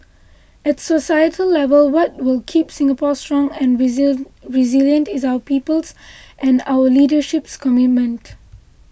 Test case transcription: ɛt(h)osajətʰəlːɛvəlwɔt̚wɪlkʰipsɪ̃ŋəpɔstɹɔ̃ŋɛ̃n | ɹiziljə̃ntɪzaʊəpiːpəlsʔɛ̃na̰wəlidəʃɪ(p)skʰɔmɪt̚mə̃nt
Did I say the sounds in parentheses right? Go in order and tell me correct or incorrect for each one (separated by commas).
incorrect, correct